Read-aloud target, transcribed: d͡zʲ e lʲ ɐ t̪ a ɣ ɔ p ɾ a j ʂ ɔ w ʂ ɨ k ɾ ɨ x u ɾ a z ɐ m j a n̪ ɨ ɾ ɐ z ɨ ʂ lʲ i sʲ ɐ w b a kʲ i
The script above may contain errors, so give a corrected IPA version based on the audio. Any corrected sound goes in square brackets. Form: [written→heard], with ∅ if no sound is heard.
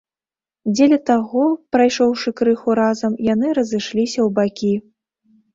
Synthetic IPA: d͡zʲ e lʲ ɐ t̪ a ɣ ɔ p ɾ a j ʂ ɔ w ʂ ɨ k ɾ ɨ x u ɾ a z ɐ m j a n̪ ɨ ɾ ɐ z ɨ ʂ lʲ i sʲ ɐ w b a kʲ i